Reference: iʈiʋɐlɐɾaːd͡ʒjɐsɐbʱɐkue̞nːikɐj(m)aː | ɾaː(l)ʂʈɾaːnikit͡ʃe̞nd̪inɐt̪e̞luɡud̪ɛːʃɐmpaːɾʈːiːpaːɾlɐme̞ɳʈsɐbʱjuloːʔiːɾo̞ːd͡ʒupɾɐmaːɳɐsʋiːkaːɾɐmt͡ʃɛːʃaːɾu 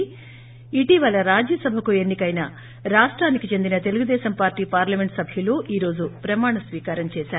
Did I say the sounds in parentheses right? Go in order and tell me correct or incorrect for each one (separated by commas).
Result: incorrect, incorrect